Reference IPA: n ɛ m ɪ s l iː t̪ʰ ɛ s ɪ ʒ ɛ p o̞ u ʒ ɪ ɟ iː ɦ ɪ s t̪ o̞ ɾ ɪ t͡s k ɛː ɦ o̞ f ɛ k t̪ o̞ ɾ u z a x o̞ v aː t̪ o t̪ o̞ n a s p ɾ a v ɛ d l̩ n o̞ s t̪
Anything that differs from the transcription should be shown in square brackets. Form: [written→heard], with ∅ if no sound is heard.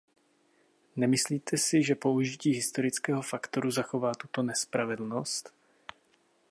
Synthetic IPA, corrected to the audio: n ɛ m ɪ s l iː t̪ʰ ɛ s ɪ ʒ ɛ p o̞ u ʒ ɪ [ɟ→c] iː ɦ ɪ s t̪ o̞ ɾ ɪ t͡s k ɛː ɦ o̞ f [ɛ→a] k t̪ o̞ ɾ u z a x o̞ v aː t̪ [o→u] t̪ o̞ n [a→ɛ] s p ɾ a v ɛ d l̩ n o̞ s t̪